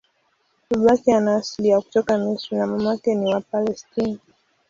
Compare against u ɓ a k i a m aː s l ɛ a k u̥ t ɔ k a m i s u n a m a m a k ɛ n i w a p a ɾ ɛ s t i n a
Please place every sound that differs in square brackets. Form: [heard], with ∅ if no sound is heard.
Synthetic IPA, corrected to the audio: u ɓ a k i a [n] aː s l [i] a k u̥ t ɔ k a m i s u n a m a m a k ɛ n i w a p a [l] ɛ s t i n a